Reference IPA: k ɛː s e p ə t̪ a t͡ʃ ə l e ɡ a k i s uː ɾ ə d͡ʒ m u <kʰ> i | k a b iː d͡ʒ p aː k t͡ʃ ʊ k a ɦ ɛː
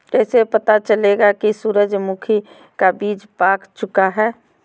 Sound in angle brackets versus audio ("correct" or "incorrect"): correct